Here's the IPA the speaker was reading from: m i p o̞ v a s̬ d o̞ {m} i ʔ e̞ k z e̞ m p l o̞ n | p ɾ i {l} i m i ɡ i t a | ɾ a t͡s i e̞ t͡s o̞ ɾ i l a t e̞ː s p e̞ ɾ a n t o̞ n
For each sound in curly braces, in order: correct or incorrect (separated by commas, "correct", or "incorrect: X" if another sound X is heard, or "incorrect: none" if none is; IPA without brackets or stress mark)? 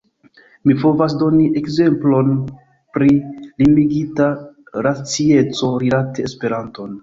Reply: incorrect: n, correct